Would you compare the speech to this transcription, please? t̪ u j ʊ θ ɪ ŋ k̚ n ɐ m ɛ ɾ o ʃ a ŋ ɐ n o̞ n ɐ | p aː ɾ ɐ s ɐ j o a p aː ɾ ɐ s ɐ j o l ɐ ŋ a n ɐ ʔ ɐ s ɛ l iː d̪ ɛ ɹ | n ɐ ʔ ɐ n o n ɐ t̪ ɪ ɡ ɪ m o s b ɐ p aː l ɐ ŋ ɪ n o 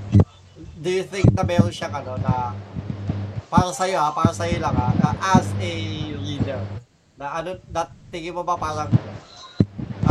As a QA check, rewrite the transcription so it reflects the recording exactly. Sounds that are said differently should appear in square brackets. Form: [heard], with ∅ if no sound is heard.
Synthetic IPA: [d̪] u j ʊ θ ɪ ŋ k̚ n ɐ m ɛ ɾ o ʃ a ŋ ɐ n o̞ n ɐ | p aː ɾ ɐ s ɐ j o a p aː ɾ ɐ s ɐ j o l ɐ ŋ a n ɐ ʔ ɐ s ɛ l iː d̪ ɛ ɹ | n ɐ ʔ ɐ n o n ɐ t̪ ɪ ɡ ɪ m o [∅] b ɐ p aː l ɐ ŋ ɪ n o